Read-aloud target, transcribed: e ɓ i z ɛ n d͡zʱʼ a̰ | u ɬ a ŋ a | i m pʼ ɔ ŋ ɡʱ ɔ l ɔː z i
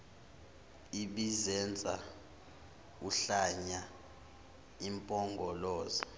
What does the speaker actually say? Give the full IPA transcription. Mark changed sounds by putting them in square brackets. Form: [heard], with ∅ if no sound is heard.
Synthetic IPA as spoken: [i] ɓ i z ɛ n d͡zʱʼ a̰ | u ɬ a [ɲ] a | i m pʼ ɔ ŋ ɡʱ ɔ l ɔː z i